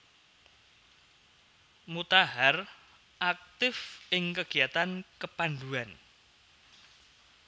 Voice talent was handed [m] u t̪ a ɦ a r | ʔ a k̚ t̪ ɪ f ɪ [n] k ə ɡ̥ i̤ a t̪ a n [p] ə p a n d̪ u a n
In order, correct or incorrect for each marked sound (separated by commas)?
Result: correct, incorrect, incorrect